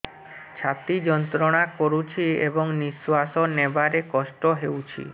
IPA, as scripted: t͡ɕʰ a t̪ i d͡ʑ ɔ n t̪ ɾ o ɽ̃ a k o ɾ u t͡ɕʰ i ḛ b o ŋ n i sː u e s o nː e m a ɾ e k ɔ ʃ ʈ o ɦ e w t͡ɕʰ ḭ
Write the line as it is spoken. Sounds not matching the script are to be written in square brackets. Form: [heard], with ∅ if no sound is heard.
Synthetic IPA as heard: t͡ɕʰ a t̪ i d͡ʑ ɔ n t̪ ɾ o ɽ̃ a k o ɾ u t͡ɕʰ i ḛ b o ŋ n i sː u [a] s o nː e [b] a ɾ e k ɔ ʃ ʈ o ɦ e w t͡ɕʰ ḭ